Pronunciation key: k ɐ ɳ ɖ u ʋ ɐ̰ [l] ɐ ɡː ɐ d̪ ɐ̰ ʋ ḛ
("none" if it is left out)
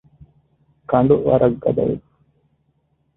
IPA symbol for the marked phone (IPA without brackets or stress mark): ɾ